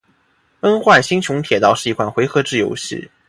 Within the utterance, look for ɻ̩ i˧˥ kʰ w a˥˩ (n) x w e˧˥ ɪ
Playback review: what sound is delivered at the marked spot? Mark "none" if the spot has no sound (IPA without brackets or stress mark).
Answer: n